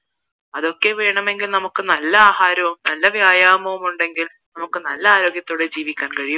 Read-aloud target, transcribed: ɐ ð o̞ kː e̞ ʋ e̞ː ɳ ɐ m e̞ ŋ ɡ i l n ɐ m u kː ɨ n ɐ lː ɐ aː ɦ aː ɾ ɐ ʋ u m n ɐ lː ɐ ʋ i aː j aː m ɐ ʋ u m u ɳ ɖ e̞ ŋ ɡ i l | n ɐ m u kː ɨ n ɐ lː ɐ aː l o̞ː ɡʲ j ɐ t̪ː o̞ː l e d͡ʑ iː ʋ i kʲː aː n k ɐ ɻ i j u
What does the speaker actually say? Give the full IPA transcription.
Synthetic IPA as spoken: ɐ ð o̞ kː e̞ ʋ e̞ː ɳ ɐ m e̞ ŋ ɡ i l n ɐ m u kː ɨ n ɐ lː ɐ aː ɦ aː ɾ ɐ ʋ u m n ɐ lː ɐ ʋ j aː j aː m ɐ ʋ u m u ɳ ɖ e̞ ŋ ɡ i l | n ɐ m u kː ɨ n ɐ lː ɐ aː ɾ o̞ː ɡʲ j ɐ t̪ː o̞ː ɽ e d͡ʑ iː ʋ i kʲː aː n k ɐ ɻ i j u